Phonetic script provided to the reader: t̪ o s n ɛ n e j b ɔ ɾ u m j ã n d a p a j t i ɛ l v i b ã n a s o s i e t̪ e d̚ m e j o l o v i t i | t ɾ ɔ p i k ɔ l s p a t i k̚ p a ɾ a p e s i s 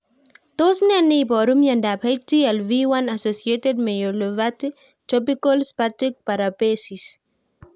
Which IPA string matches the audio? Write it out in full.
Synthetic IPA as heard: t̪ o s n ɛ n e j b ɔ ɾ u m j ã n d a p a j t i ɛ l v i w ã n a s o s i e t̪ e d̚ m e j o l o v a t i | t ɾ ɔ p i k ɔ l s p a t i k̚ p a ɾ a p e s i s